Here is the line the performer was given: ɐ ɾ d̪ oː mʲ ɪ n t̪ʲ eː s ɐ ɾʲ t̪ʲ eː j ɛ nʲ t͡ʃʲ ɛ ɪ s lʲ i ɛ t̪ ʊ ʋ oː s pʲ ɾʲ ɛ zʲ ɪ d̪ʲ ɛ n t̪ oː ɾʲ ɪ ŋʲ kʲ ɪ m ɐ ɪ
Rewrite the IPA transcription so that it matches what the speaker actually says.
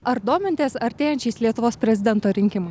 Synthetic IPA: ɐ ɾ d̪ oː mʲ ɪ n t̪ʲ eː s ɐ ɾʲ t̪ʲ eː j ɛ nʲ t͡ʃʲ ɛ ɪ s lʲ i ɛ t̪ ʊ ʋ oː s pʲ ɾʲ ɛ zʲ ɪ d̪ʲ ɛ n t̪ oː ɾʲ ɪ ŋʲ kʲ ɪ m ɐ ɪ